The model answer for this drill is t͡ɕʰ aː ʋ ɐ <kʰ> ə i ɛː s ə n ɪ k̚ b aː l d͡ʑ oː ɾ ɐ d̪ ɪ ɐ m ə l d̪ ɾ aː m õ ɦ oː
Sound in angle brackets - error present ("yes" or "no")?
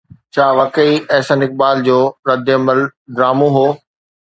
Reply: yes